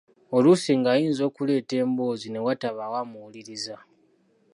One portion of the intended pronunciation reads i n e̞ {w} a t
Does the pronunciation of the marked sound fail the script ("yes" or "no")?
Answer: no